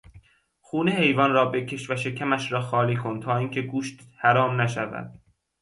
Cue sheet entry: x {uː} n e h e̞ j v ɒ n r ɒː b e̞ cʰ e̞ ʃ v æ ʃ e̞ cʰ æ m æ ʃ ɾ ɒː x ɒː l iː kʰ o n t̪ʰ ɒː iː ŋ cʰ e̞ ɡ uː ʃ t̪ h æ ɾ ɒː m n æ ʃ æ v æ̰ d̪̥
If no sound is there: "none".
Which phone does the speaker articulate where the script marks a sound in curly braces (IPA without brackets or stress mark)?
uː